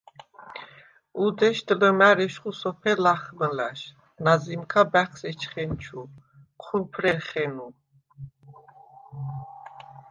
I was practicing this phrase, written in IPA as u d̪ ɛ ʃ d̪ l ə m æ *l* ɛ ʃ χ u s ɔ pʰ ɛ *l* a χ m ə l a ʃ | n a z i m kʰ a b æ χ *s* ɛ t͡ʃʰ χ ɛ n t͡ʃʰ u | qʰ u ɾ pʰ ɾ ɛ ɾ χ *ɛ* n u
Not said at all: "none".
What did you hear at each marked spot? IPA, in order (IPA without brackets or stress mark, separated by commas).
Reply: ɾ, l, s, ɛ